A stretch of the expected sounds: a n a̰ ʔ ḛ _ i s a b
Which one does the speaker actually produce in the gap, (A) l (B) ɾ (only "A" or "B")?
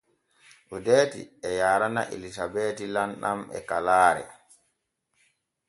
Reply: A